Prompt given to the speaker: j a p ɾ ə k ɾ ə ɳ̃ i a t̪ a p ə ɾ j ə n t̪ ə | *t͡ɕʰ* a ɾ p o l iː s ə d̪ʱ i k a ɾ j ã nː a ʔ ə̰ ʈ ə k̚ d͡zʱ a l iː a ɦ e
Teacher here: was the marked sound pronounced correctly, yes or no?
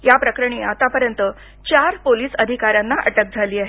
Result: no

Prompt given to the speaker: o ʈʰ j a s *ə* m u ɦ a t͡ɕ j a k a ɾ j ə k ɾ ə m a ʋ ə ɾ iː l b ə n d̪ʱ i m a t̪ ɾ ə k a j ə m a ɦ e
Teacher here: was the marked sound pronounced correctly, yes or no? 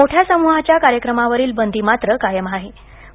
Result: yes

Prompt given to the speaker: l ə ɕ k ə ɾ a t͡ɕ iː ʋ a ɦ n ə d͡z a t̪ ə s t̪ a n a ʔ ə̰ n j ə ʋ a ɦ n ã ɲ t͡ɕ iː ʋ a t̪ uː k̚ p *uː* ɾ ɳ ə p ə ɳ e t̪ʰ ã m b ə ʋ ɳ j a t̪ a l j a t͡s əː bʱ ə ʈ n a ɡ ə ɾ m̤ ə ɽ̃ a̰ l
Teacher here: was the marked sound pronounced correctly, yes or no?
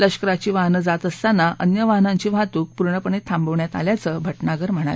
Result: no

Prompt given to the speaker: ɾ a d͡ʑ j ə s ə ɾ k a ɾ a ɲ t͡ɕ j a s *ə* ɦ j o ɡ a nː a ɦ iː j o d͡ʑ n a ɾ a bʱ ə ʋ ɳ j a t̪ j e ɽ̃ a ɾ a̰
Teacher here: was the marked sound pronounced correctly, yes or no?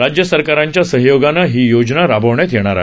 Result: yes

